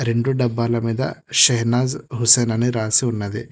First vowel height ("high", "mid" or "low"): mid